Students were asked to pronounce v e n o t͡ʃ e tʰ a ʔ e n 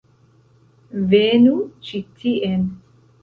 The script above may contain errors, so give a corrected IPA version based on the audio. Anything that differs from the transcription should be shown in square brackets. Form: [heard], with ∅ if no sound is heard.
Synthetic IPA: v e n [u] t͡ʃ [i] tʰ [i] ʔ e n